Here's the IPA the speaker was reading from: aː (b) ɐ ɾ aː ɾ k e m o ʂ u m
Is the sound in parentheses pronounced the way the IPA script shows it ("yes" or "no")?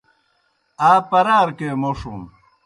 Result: no